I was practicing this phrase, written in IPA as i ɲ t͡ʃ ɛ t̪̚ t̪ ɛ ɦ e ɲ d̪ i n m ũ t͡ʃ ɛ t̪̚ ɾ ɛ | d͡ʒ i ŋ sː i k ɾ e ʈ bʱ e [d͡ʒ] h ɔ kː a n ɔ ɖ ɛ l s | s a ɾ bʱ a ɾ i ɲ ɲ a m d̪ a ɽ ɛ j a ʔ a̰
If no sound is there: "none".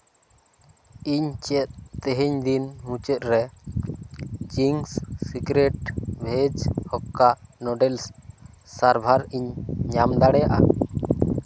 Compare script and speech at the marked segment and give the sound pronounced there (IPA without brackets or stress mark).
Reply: d͡ʒ